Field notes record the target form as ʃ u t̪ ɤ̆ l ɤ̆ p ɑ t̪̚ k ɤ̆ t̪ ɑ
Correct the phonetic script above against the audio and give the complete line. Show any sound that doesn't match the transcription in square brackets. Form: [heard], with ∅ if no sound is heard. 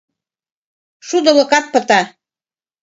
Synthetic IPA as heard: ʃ u [d̪] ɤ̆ l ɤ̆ [k] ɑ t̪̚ [p] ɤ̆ t̪ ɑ